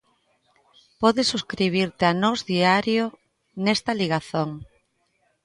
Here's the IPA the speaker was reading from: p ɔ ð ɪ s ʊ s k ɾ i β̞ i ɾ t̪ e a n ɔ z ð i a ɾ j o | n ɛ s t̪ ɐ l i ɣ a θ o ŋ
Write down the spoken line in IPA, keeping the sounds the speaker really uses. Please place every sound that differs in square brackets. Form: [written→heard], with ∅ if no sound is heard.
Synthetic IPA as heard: p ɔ ð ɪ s [ʊ→u] s k ɾ i β̞ i ɾ t̪ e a n ɔ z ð i a ɾ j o | n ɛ s t̪ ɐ l i ɣ a θ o ŋ